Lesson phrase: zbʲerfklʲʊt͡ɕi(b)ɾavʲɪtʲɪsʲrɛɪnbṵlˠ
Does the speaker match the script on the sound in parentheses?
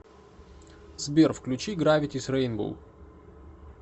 no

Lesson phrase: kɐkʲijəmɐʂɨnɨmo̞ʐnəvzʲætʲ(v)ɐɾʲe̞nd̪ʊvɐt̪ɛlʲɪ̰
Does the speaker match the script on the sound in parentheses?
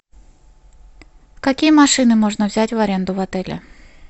yes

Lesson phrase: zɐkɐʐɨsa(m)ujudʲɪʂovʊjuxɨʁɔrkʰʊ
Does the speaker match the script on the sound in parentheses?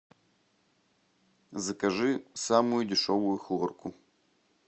yes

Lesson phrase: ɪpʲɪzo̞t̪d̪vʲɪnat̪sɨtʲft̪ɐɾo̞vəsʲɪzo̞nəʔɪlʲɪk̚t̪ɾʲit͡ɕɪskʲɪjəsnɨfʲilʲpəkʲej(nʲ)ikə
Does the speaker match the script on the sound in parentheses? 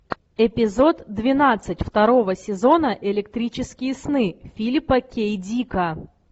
no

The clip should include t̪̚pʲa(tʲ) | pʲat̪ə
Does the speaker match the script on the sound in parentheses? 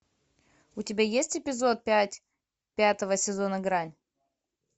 yes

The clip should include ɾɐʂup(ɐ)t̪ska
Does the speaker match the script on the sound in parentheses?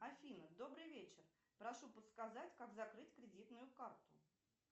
no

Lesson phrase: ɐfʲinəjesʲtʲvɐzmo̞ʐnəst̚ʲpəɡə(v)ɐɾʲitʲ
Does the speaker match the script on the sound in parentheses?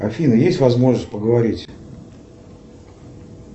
yes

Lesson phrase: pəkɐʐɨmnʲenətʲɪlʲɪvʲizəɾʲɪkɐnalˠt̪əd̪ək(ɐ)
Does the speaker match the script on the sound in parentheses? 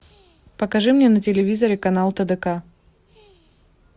no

